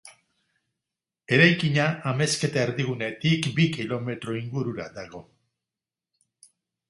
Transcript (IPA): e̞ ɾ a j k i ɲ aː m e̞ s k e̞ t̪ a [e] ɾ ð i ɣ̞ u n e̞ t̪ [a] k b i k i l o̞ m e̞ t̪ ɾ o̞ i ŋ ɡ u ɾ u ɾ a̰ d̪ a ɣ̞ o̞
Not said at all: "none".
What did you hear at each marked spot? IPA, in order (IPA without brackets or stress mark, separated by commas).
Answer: e, i